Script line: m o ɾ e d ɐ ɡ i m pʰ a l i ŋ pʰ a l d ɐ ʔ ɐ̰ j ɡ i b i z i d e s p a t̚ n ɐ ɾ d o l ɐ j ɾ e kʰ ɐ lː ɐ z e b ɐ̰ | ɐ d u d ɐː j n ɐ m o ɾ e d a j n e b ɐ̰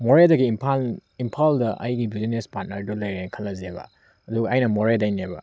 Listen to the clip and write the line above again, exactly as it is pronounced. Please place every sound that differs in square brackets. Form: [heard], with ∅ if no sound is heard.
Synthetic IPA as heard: m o ɾ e d ɐ ɡ i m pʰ a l i [m] pʰ a l d ɐ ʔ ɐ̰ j ɡ i b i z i [n] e s p a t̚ n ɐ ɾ d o l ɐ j ɾ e kʰ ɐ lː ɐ z e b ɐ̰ | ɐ d u [ɡ] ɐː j n ɐ m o ɾ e d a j n e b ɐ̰